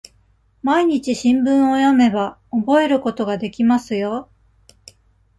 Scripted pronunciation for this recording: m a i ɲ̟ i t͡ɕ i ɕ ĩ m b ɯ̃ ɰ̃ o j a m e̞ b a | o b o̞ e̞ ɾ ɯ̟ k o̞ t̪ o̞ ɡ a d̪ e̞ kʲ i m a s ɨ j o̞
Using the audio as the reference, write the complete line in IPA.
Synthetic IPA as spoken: m a i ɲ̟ i t͡ɕ i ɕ ĩ m b ɯ̃ ɰ̃ o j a m e̞ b a | o b o̞ e̞ ɾ ɯ̟ k o̞ t̪ o̞ ɡ a d̪ e̞ kʲ i m a s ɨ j o̞